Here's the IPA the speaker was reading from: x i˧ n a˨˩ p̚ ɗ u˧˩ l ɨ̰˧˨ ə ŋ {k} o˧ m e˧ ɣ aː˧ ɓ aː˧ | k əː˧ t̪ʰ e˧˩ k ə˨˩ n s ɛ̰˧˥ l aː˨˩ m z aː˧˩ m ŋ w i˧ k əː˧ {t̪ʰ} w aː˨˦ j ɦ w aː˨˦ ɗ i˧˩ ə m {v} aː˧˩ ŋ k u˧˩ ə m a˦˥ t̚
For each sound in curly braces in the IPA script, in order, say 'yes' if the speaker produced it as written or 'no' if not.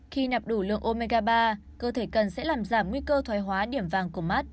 no, yes, yes

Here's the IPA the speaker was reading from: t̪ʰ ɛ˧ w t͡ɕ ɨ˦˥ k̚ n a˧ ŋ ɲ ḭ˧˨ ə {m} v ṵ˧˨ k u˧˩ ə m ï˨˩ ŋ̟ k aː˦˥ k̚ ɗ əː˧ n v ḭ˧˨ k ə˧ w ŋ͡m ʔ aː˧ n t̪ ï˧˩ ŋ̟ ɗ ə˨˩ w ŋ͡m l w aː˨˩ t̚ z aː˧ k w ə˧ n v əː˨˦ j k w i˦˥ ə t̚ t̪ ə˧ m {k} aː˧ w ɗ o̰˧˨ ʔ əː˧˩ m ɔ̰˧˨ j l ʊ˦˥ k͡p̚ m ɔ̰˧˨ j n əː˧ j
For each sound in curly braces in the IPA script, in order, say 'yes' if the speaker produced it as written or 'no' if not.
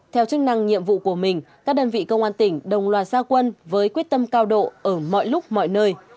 yes, yes

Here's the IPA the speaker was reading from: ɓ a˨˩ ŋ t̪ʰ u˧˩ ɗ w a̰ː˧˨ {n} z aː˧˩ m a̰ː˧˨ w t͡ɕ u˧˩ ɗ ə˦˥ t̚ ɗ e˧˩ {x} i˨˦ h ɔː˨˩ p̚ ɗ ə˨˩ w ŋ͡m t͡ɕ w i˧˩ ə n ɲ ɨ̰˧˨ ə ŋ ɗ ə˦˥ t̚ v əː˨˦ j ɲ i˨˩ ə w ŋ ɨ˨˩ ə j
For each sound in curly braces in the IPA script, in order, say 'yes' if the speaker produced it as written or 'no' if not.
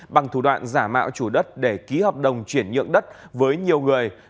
yes, no

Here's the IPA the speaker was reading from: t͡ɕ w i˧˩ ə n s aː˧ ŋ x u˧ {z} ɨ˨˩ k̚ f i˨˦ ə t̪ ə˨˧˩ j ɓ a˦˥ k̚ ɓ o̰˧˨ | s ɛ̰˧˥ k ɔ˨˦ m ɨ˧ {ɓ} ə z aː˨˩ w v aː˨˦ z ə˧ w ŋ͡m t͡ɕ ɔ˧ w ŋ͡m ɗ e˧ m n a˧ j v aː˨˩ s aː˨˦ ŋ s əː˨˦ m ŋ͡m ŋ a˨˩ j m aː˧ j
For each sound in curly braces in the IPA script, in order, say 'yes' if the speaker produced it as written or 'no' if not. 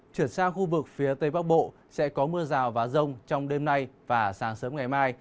no, no

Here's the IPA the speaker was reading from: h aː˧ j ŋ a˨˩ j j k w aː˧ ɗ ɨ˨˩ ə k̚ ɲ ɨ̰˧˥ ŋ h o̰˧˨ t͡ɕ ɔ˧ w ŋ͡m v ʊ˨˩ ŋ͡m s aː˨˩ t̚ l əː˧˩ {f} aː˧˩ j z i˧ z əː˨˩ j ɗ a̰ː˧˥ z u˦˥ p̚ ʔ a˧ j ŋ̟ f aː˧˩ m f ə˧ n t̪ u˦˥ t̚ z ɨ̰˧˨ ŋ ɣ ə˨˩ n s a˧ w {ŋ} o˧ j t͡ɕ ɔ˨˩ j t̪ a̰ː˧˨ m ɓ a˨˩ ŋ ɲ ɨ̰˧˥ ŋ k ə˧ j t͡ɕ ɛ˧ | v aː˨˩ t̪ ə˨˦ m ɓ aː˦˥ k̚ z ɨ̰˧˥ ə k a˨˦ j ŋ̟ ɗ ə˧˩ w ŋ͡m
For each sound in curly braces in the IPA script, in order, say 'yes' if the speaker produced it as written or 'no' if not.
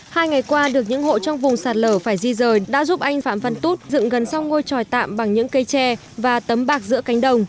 yes, yes

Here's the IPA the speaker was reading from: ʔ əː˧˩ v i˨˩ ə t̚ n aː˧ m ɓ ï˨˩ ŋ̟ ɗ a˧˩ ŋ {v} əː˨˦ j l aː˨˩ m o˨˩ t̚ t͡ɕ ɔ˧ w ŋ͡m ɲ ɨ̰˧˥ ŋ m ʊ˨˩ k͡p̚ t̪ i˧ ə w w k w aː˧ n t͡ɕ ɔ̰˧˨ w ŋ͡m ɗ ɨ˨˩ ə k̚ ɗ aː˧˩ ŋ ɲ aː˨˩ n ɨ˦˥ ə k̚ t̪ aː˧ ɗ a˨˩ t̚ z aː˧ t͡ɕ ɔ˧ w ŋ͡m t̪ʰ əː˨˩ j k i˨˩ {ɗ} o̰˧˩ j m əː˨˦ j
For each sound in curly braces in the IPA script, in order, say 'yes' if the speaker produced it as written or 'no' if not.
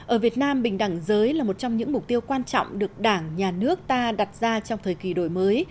no, yes

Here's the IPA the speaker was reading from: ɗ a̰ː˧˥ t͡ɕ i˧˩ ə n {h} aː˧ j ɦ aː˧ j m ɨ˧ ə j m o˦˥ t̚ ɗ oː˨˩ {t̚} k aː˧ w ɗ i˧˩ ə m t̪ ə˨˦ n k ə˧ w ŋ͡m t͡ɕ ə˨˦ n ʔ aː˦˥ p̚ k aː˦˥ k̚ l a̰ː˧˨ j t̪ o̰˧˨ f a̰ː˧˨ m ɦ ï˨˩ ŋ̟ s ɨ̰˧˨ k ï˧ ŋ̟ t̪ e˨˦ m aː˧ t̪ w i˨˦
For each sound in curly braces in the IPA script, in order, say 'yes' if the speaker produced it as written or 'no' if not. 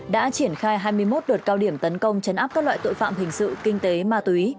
no, yes

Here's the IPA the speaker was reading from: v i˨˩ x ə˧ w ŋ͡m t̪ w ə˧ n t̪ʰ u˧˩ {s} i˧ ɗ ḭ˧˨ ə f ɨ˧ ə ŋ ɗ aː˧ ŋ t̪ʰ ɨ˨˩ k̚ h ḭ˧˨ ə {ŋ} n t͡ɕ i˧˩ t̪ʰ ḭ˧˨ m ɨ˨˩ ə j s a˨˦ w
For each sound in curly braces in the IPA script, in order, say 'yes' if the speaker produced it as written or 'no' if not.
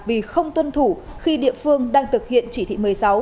no, no

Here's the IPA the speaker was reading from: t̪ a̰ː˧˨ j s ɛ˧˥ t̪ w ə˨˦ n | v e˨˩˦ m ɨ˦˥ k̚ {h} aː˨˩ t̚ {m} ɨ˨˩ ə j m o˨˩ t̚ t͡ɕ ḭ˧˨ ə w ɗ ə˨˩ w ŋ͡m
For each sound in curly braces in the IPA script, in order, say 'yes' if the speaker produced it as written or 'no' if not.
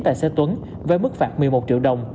no, yes

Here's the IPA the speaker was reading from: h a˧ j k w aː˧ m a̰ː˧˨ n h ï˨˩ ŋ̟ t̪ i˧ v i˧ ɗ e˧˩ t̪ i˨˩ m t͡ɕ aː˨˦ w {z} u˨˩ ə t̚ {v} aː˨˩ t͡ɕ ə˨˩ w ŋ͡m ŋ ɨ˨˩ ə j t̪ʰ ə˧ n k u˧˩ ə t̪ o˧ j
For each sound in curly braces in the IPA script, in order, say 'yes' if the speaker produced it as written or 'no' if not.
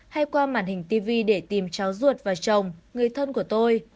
yes, yes

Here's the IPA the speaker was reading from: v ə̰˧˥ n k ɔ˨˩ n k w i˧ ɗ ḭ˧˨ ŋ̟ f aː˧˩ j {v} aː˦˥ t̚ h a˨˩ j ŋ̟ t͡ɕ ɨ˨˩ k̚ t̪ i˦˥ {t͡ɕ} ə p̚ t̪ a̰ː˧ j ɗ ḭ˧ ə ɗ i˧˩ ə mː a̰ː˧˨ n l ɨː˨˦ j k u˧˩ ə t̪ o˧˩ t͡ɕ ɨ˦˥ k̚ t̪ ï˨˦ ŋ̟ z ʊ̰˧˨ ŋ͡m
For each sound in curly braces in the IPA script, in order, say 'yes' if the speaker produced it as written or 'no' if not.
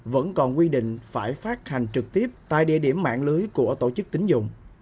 no, no

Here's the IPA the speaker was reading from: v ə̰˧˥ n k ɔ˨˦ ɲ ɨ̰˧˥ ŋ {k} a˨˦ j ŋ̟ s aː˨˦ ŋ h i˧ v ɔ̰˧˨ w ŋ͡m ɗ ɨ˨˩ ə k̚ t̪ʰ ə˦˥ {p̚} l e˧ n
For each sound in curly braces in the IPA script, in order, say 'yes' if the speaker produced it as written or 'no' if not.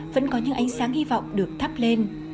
no, yes

